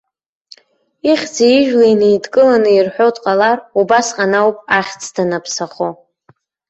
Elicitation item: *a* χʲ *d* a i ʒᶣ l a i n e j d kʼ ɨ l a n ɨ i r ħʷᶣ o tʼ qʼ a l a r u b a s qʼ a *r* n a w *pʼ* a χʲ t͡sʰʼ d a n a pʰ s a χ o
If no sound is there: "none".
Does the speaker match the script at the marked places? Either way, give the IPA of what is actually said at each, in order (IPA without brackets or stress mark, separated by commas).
i, d͡z, none, pʼ